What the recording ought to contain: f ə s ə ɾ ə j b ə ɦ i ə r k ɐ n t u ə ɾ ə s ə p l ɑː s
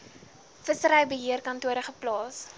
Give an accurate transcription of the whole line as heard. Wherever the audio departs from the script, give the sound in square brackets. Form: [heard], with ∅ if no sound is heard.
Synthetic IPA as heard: f ə s ə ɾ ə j b ə ɦ i ə r k ɐ n t u ə ɾ ə [χ] ə p l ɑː s